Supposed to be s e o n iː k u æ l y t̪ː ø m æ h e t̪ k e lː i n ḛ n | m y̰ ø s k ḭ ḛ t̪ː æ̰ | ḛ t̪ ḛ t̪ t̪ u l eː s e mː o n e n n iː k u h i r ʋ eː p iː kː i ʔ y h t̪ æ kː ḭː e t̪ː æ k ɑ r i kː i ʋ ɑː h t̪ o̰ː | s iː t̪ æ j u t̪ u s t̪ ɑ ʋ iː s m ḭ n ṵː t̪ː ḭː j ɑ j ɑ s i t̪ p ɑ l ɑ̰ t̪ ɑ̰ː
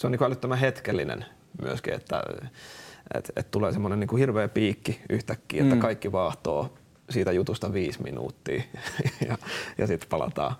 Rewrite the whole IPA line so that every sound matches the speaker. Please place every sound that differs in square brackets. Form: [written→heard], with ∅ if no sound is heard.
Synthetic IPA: s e o n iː k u æ l y t̪ː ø m æ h e t̪ k e lː i n ḛ n | m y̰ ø s k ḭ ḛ t̪ː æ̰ | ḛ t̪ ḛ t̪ t̪ u l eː s e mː o n e n n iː k u h i r ʋ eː p iː kː i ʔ y h t̪ æ kː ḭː e t̪ː æ k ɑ [r→∅] i kː i ʋ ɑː h t̪ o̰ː | s iː t̪ æ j u t̪ u s t̪ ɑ ʋ iː s m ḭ n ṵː t̪ː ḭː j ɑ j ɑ s i t̪ p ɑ l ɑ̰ t̪ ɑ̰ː